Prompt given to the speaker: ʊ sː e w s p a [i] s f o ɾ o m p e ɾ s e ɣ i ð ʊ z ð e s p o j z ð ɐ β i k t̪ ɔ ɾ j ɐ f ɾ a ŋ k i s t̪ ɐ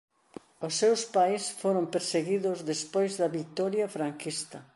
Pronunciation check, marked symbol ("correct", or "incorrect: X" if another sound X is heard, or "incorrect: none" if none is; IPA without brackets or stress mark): incorrect: j